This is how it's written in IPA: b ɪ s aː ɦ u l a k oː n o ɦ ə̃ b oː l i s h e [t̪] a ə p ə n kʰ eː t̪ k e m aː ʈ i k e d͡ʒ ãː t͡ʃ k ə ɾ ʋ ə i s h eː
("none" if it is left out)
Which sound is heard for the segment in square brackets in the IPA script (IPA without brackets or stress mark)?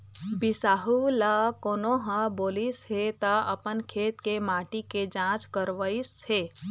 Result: t̪